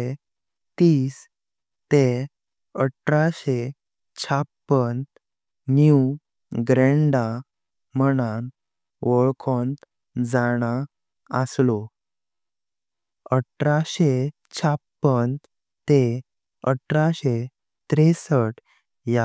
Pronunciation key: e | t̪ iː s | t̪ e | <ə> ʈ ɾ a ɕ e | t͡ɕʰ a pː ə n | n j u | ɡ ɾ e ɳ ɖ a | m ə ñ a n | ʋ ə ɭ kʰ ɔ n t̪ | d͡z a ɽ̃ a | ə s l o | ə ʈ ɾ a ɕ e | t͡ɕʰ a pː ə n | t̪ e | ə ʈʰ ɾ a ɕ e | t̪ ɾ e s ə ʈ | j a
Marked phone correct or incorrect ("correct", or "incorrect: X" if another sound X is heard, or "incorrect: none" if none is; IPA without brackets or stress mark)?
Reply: correct